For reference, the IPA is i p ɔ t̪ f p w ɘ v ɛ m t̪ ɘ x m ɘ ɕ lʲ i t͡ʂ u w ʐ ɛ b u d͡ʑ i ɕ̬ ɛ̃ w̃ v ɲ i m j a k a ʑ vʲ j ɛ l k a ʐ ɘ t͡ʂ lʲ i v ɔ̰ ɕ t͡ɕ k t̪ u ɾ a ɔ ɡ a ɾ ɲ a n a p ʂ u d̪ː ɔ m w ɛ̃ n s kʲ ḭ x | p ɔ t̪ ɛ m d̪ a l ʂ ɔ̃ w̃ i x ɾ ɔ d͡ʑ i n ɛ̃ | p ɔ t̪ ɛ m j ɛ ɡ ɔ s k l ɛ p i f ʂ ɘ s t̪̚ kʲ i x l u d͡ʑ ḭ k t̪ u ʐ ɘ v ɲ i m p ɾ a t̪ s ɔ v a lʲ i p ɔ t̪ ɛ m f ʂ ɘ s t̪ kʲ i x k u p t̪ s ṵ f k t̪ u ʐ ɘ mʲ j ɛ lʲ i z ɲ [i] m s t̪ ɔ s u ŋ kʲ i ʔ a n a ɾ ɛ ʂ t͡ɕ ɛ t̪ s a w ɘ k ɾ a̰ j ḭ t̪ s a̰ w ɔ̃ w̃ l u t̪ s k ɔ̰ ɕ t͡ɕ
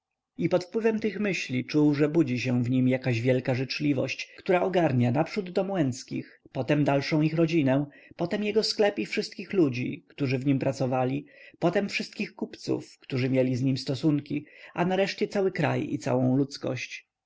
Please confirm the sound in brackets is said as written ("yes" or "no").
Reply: yes